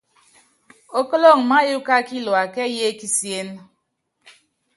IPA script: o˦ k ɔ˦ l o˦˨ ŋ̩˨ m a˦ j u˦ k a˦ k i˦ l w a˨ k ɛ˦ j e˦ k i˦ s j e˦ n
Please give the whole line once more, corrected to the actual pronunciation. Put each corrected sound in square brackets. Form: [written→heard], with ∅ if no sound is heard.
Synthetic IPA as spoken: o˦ k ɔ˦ l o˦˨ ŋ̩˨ m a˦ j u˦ k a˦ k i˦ l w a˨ k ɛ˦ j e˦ k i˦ s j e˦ n